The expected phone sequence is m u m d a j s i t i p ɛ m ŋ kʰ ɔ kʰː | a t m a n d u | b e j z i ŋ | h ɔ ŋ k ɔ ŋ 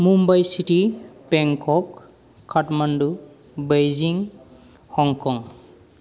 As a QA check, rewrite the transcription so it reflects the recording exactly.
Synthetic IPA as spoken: m u m b a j s i t i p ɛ ŋ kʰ ɔ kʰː | a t m a n d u | b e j z i ŋ | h ɔ ŋ k ɔ ŋ